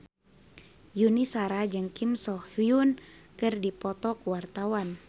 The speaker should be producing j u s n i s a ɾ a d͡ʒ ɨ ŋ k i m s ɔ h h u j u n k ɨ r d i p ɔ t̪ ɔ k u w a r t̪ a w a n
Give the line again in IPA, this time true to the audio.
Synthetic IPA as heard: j u n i s a ɾ a d͡ʒ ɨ ŋ k i m s ɔ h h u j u n k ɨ r d i p ɔ t̪ ɔ k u w a r t̪ a w a n